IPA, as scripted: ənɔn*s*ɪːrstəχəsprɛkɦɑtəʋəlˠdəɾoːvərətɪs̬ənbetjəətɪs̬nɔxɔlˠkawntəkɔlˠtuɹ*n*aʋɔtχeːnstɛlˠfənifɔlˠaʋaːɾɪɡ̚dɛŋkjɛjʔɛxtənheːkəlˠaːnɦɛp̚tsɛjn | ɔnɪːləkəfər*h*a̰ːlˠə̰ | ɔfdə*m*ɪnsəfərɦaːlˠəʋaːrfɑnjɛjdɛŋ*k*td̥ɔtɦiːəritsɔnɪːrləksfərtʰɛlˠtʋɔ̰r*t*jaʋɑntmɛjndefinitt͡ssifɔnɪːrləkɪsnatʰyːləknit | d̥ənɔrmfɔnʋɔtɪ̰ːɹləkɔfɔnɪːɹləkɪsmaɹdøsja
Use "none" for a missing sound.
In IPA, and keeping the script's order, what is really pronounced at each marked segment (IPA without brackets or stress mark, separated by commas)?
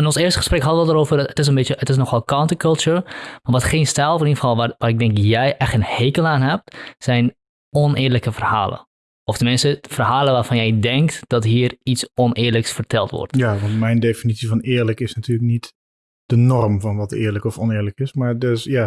s, m, h, m, k, t